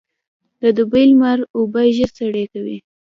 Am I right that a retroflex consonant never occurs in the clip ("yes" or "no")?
no